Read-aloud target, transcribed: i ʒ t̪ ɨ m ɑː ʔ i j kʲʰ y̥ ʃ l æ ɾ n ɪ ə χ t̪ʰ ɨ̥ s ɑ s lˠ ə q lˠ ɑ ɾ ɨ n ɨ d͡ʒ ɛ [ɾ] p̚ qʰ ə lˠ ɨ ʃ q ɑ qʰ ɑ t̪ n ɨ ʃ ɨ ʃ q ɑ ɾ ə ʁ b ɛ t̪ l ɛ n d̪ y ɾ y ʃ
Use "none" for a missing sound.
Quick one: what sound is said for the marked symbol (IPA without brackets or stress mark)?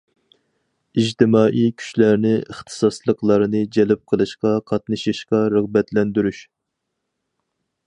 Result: l